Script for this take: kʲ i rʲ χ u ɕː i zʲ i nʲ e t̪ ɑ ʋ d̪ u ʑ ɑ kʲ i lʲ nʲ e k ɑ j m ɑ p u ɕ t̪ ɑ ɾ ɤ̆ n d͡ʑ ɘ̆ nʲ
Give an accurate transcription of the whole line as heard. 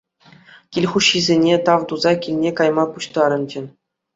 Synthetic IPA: kʲ i lʲ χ u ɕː i zʲ e nʲ e t̪ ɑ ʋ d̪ u z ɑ kʲ i lʲ nʲ e k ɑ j m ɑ p u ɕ t̪ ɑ ɾ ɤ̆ n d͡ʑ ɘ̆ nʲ